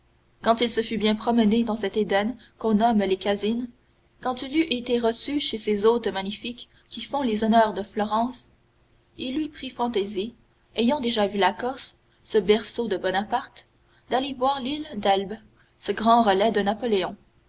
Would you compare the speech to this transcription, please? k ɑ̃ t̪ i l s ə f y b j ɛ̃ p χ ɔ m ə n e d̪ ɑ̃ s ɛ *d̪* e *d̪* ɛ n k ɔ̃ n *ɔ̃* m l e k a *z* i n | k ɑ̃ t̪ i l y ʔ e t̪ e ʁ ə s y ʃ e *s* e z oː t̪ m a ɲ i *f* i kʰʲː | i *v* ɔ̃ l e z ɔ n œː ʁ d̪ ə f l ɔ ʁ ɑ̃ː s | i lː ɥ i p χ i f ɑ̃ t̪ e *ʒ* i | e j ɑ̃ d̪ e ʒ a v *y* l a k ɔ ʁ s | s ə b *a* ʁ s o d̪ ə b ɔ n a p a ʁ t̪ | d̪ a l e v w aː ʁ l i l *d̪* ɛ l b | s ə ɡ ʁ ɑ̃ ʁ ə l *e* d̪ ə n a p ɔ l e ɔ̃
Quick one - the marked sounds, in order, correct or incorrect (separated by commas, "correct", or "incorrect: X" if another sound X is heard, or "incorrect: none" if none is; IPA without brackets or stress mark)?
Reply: incorrect: t̪, correct, incorrect: ɔ, correct, correct, correct, incorrect: f, incorrect: z, correct, incorrect: ɛ, correct, incorrect: ɛ